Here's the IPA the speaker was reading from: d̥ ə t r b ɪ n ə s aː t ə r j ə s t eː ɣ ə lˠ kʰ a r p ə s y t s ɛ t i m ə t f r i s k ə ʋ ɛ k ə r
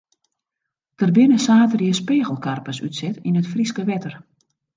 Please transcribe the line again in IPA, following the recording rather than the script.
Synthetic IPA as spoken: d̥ ə r b ɪ n ə s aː t ə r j ə s p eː ɣ ə lˠ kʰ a r p ə s y t s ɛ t i n ə t f r i s k ə ʋ ɛ t ə r